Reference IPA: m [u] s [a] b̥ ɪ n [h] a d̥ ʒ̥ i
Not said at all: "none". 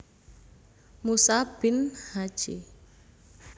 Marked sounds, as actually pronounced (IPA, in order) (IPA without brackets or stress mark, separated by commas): u, a, h